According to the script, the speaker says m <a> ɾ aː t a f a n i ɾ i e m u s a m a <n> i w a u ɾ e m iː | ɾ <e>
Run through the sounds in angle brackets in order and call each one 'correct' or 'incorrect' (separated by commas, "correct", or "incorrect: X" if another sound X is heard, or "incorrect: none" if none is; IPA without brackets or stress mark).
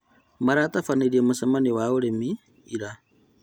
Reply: correct, correct, incorrect: a